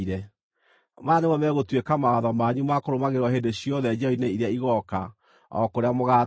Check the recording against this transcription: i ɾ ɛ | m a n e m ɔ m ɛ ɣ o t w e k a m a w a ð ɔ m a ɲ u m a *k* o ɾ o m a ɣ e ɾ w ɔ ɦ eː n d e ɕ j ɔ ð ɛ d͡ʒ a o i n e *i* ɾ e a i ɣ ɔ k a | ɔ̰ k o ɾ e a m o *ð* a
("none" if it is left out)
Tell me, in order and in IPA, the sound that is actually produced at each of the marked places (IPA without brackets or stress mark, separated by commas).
k, i, ɣ